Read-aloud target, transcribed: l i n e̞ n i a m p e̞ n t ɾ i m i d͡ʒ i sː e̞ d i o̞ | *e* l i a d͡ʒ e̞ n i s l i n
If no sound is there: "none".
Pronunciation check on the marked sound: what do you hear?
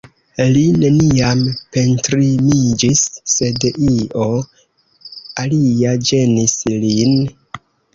a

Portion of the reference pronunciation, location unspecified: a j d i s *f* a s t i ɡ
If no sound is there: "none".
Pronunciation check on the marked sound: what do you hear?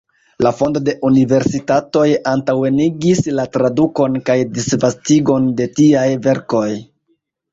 v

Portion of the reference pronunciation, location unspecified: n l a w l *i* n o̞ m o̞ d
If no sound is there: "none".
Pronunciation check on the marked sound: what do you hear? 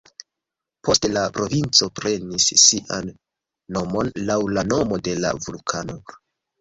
a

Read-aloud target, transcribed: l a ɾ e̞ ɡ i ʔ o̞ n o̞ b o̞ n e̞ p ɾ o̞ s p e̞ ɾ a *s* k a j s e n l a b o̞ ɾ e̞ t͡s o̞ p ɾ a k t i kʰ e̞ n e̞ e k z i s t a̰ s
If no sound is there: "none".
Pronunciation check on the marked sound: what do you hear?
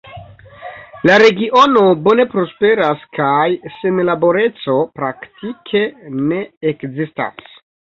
s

